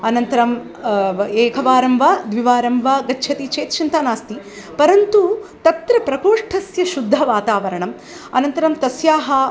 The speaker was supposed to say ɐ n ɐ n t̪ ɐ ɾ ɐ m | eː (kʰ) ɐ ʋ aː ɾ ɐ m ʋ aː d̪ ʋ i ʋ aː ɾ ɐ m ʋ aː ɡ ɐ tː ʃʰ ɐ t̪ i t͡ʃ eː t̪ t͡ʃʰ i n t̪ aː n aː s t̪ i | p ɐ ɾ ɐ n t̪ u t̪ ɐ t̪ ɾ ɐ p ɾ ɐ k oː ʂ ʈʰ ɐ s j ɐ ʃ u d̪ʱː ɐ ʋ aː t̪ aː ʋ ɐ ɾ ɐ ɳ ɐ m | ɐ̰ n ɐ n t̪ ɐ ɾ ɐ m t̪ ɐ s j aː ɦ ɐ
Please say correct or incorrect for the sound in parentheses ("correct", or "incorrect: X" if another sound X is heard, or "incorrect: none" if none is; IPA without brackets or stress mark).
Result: correct